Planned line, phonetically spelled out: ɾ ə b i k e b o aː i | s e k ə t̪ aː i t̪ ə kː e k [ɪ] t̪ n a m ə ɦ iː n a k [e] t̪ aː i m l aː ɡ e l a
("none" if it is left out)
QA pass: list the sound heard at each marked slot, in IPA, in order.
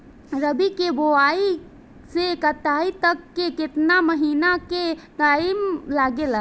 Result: ɪ, e

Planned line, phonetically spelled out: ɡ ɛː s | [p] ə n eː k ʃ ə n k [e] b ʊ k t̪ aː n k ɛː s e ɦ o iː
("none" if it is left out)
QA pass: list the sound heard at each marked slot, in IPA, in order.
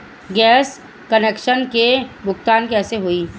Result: k, e

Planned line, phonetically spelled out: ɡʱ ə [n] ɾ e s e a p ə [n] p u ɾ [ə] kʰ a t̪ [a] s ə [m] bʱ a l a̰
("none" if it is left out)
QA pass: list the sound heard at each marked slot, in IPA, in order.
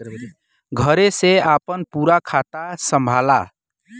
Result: none, n, a, a, m

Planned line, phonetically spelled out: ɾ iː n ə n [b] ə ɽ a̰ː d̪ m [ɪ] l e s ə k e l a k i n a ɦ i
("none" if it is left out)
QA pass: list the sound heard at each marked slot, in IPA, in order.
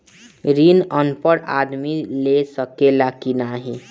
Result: p, i

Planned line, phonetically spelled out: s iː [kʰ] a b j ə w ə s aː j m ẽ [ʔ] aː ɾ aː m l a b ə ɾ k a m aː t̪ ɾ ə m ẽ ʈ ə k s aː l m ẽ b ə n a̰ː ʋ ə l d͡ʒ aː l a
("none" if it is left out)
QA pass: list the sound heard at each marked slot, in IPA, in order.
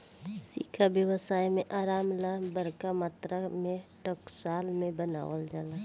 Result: kʰ, ʔ

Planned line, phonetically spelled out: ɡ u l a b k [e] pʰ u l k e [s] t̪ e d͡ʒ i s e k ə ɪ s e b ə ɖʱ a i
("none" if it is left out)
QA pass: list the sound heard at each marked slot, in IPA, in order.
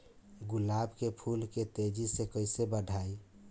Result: e, none

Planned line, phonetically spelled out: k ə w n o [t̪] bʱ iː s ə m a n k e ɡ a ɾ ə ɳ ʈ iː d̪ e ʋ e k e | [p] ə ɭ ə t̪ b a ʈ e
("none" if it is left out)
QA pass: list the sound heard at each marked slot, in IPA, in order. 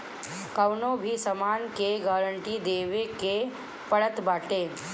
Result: none, p

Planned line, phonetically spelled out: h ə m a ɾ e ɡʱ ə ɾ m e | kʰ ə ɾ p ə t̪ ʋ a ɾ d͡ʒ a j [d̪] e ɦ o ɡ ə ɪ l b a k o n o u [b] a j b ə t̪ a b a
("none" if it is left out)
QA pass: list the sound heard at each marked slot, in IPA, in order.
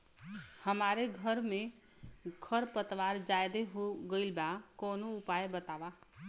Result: d̪, p

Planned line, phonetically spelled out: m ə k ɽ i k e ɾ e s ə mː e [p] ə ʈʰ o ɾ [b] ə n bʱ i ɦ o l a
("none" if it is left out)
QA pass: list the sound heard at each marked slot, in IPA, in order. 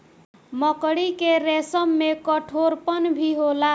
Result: k, p

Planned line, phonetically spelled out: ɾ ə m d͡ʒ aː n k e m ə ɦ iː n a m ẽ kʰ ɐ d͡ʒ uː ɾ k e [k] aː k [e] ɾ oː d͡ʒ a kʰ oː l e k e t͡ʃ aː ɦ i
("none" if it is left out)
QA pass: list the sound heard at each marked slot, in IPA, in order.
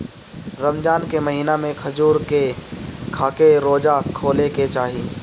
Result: kʰ, e

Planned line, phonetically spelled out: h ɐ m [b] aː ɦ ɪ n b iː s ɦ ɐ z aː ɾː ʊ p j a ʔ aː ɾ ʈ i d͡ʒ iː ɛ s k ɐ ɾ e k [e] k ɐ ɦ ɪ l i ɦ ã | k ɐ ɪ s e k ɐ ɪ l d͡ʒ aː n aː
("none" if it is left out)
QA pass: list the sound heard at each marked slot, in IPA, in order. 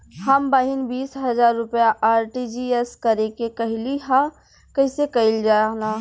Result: b, e

